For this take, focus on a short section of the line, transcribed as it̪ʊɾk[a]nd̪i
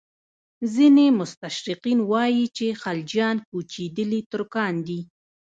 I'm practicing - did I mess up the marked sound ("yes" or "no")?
yes